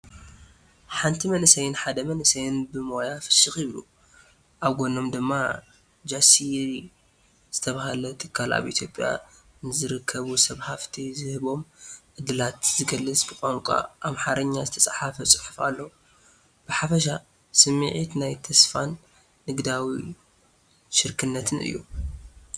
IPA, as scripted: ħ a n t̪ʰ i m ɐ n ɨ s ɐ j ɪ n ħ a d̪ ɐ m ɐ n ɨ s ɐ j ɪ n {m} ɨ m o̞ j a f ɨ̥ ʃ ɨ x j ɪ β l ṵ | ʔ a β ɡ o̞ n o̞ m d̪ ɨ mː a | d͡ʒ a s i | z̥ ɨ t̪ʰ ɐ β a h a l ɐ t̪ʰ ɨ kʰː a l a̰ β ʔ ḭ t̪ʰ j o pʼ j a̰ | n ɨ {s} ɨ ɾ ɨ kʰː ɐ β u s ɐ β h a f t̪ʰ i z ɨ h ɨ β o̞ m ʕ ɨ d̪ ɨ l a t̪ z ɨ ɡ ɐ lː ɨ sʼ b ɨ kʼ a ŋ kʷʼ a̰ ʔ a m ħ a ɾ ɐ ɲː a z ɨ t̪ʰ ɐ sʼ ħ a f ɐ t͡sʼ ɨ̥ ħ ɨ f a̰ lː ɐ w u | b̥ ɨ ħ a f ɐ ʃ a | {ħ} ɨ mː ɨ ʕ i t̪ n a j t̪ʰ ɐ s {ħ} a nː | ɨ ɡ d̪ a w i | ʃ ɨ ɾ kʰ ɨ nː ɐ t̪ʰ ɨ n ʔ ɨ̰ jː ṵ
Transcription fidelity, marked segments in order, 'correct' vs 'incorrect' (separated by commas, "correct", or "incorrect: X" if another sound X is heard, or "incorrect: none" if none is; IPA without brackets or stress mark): incorrect: b, incorrect: z, incorrect: s, incorrect: f